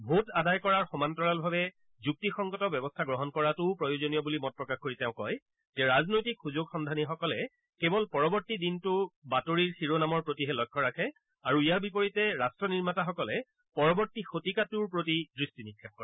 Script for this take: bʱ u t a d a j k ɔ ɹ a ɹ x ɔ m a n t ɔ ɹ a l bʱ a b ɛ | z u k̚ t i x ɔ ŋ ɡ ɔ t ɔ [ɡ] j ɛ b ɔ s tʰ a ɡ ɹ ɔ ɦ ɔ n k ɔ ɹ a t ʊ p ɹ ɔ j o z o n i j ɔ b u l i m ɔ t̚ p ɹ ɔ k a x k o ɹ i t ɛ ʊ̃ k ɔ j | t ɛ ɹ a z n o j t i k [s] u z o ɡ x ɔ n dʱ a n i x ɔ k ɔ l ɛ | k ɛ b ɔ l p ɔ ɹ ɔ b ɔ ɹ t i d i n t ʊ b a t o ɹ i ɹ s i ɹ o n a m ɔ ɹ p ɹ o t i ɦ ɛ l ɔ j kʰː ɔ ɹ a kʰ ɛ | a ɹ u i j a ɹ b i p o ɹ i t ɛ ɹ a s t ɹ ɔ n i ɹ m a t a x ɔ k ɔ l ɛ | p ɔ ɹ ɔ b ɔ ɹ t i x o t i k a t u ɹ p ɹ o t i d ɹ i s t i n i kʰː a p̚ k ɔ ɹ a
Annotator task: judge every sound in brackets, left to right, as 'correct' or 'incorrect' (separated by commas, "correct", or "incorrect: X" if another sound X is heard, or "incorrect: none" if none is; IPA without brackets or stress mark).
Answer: incorrect: b, incorrect: x